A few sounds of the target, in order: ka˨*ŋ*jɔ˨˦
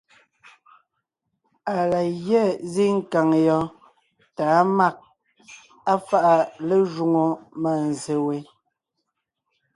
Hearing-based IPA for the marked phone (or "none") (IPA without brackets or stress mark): ŋ